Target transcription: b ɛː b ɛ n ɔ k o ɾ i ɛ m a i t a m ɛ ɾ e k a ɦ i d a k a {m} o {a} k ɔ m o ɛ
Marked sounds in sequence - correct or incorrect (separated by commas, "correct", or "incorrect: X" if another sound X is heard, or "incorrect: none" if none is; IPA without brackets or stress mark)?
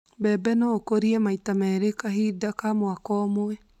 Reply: correct, correct